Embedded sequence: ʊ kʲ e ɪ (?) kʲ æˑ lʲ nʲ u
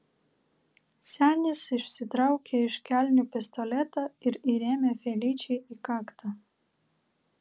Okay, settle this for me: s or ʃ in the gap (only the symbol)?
ʃ